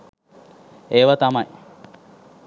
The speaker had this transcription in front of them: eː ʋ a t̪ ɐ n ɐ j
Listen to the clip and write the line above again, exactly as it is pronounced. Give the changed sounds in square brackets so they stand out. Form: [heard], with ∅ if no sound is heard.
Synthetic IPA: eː ʋ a t̪ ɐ [m] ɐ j